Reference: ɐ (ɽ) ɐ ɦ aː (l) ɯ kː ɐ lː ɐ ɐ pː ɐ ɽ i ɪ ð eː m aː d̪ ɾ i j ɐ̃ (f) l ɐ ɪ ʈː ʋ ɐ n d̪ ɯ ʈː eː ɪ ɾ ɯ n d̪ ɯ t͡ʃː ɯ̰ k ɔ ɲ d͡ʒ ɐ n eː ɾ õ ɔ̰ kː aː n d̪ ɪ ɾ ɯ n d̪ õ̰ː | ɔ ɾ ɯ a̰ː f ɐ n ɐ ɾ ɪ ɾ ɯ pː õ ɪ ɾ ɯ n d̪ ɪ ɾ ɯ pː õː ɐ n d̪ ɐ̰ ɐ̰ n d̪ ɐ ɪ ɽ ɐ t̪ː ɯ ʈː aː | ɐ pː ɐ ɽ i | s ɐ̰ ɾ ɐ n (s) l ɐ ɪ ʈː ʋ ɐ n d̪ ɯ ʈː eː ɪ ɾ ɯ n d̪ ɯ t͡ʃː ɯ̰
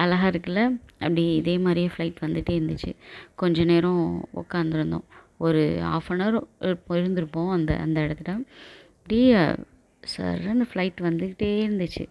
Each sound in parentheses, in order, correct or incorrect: incorrect: l, incorrect: ɾ, correct, incorrect: f

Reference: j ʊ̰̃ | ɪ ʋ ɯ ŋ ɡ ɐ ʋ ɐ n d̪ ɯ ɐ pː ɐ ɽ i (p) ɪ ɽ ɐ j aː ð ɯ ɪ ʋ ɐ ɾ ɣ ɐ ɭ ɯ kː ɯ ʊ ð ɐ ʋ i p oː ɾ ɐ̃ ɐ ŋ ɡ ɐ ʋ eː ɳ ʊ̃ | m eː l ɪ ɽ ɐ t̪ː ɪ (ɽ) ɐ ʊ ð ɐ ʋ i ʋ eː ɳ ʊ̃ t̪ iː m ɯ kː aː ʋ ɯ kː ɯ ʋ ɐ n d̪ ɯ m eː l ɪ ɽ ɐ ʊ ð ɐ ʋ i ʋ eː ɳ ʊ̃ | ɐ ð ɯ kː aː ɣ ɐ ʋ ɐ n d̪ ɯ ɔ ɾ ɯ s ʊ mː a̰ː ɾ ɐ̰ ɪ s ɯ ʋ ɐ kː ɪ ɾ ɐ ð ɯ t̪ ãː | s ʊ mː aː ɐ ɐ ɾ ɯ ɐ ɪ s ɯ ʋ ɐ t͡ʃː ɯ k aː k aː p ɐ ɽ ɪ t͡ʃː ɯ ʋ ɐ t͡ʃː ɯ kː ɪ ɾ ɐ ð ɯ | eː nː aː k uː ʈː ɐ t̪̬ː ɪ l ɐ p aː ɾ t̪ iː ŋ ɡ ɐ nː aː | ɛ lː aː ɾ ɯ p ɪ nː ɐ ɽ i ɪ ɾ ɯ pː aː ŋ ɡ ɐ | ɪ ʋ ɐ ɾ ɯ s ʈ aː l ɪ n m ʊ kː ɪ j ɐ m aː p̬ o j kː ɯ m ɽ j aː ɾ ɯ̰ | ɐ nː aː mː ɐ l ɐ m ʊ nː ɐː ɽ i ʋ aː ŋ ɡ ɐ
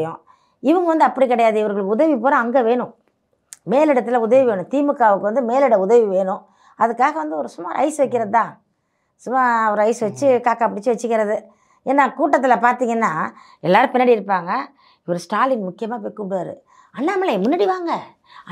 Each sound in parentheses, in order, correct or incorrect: incorrect: k, incorrect: l

